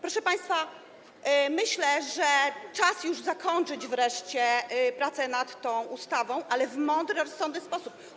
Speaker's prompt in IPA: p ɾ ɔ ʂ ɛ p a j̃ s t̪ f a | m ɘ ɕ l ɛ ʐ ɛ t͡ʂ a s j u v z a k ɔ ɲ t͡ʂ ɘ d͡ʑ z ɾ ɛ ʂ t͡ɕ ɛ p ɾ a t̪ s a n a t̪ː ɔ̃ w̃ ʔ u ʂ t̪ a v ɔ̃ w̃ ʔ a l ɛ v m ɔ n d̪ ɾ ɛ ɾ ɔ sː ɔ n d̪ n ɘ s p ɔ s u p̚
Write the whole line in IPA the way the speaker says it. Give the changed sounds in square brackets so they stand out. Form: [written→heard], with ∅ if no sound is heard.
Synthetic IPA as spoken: p ɾ ɔ ʂ ɛ p a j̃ s t̪ f a | m ɘ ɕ l ɛ ʐ ɛ t͡ʂ a s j u [v→ʐ] z a k ɔ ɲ t͡ʂ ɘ d͡ʑ [z→v] ɾ ɛ ʂ t͡ɕ ɛ p ɾ a t̪ s [a→ɛ] n a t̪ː ɔ̃ w̃ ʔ u [ʂ→s] t̪ a v ɔ̃ w̃ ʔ a l ɛ v m ɔ n d̪ ɾ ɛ ɾ ɔ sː ɔ n d̪ n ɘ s p ɔ s u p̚